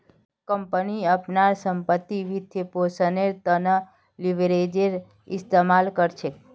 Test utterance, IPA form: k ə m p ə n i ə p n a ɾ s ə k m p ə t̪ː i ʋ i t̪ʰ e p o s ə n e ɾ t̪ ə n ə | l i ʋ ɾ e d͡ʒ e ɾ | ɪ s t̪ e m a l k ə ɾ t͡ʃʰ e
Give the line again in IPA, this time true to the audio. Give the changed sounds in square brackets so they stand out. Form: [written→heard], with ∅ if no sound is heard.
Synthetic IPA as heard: k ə m p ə n i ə p n a ɾ s ə [k→∅] m p ə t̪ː i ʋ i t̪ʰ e p o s ə n e ɾ t̪ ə n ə | l i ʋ ɾ e d͡ʒ e ɾ | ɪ s t̪ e m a l k ə ɾ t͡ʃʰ e